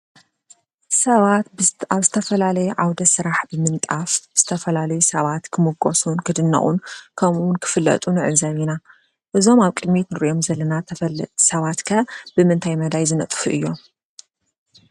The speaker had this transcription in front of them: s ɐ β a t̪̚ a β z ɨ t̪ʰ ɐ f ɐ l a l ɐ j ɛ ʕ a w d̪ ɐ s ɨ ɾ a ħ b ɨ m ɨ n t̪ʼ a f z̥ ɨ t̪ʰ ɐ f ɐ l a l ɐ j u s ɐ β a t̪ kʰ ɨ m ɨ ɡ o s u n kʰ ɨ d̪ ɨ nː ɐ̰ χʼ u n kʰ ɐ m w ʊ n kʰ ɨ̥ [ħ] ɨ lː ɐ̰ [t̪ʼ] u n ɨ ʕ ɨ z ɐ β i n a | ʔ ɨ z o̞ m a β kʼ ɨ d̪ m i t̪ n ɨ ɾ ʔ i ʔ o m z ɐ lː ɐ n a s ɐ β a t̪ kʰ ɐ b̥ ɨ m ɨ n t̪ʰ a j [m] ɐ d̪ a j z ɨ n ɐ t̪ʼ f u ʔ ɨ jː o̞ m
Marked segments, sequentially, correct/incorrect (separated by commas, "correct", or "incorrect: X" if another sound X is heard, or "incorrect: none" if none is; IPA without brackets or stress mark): incorrect: f, correct, correct